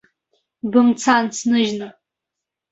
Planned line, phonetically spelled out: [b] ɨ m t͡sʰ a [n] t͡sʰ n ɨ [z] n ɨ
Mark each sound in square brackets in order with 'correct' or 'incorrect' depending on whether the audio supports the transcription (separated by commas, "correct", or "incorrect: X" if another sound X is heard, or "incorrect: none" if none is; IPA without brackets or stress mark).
correct, correct, incorrect: ʒ